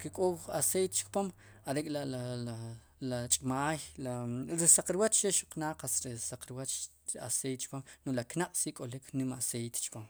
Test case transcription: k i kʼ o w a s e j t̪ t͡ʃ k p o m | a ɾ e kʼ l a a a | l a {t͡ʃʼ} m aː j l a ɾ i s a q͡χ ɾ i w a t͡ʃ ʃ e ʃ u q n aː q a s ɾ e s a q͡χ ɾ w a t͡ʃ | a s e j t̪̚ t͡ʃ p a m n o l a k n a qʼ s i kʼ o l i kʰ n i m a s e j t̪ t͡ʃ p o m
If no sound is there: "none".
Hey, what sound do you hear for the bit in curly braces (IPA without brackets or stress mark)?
t͡ʃʼ